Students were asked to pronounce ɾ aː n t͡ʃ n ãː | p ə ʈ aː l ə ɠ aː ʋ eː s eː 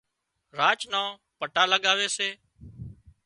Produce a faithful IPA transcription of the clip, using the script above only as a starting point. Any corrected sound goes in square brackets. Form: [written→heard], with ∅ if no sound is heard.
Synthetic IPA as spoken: ɾ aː [n→∅] t͡ʃ n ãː | p ə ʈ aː l ə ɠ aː ʋ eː s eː